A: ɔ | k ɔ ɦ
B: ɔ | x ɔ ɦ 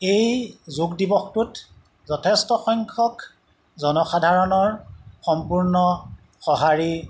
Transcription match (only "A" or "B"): B